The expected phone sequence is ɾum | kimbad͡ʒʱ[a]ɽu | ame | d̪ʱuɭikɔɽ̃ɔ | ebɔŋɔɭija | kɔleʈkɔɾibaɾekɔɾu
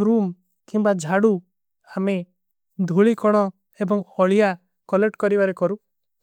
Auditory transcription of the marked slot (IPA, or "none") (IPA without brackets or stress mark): a